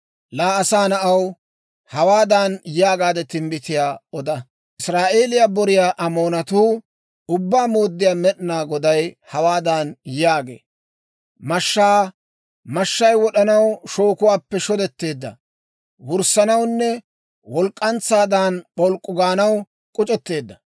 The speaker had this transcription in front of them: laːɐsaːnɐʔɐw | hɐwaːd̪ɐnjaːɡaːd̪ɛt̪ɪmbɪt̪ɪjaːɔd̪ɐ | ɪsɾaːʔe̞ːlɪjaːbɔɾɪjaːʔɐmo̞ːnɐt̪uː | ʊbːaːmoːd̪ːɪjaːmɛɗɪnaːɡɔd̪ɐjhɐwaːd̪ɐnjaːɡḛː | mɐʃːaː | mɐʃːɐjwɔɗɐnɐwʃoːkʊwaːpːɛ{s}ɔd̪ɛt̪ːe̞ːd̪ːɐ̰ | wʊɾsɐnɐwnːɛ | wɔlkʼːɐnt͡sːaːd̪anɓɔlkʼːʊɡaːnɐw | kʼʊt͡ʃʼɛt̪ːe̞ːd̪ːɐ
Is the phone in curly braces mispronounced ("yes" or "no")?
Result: yes